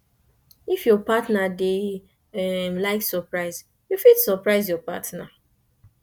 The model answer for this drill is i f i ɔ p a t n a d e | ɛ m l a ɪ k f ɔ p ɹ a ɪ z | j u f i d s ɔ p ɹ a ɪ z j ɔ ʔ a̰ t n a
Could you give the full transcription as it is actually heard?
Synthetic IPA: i f j ɔ p a t n a d e | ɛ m l a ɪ k s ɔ p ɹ a ɪ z | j u f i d s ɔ p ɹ a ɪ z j ɔ p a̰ t n a